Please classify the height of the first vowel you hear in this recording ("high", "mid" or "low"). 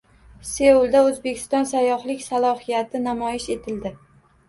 mid